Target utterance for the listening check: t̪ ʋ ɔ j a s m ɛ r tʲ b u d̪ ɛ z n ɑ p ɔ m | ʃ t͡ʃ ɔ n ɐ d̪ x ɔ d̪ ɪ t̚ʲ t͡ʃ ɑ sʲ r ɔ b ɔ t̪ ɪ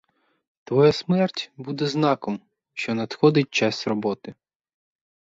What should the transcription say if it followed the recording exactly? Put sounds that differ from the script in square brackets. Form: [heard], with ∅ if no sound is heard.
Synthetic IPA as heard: t̪ ʋ ɔ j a s m ɛ r tʲ b u d̪ ɛ z n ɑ [k] ɔ m | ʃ t͡ʃ ɔ n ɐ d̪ x ɔ d̪ ɪ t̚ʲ t͡ʃ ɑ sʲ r ɔ b ɔ t̪ ɪ